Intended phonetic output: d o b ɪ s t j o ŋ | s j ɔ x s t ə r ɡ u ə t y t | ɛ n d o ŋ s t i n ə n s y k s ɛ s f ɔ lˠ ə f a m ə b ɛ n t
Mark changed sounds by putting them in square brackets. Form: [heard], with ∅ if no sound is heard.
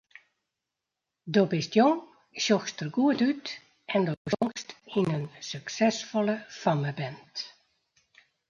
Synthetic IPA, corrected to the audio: d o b ɪ s t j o ŋ | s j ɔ x s t ə r ɡ u ə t y t | ɛ n d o ŋ s t i n ə n s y k s ɛ s f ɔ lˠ ə f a m ə b ɛ n t